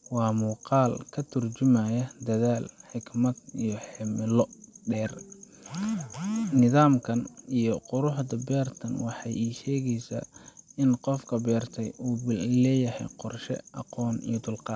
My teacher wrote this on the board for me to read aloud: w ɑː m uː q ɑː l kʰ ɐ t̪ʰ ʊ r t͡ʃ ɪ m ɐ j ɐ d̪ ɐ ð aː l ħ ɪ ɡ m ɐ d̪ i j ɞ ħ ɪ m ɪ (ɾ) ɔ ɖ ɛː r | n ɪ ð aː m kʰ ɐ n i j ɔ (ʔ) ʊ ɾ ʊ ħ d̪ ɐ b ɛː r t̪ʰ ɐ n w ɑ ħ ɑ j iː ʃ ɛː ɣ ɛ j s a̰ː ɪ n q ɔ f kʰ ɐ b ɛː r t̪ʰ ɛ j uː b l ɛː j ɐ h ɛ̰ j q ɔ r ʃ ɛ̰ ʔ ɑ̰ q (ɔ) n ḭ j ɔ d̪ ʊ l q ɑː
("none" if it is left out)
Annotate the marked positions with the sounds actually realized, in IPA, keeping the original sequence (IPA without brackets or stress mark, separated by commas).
l, q, ɔː